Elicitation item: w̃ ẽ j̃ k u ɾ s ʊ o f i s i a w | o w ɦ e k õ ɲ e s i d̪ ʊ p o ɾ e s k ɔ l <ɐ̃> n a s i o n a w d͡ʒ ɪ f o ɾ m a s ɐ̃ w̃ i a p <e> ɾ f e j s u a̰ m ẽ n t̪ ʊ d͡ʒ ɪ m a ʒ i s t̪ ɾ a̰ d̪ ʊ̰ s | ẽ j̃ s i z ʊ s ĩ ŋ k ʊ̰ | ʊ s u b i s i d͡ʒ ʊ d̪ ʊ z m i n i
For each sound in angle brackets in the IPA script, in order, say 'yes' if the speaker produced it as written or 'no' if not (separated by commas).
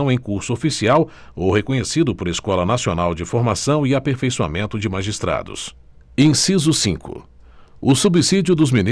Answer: no, yes